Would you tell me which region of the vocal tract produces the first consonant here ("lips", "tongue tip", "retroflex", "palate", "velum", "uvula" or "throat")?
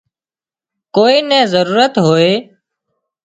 velum